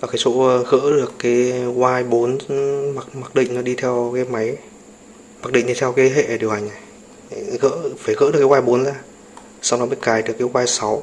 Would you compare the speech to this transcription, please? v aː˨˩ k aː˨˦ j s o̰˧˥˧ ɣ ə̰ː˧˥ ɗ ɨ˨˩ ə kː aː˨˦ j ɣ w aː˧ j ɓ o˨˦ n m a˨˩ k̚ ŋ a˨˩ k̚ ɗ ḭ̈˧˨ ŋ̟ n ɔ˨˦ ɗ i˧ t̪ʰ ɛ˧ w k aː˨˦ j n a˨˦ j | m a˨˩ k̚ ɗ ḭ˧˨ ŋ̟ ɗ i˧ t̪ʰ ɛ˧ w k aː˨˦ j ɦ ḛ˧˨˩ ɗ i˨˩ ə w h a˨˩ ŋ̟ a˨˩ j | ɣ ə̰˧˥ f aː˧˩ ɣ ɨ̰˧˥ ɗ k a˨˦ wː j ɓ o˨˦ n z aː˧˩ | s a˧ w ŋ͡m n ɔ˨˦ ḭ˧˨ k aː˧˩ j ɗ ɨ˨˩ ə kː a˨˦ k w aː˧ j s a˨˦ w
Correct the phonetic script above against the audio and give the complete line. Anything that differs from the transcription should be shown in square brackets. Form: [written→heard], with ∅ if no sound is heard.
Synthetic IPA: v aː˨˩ k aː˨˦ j s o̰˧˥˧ ɣ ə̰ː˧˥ ɗ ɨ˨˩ ə kː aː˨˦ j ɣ w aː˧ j ɓ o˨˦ n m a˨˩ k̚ [ŋ→m] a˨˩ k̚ ɗ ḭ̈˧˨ ŋ̟ n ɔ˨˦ ɗ i˧ t̪ʰ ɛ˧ w k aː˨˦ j [n→m] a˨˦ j | m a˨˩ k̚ ɗ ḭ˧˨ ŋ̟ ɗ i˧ t̪ʰ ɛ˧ w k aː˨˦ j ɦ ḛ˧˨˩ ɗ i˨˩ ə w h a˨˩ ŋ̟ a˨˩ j | ɣ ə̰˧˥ f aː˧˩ ɣ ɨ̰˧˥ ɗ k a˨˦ wː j ɓ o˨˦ n z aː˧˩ | s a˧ w ŋ͡m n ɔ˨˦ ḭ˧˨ k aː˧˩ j ɗ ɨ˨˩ ə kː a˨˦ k w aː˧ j s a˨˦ w